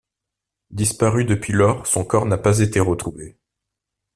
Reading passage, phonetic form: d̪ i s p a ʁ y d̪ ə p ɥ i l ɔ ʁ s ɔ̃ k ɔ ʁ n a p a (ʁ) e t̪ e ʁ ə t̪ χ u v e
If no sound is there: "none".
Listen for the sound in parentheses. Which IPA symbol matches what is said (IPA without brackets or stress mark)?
z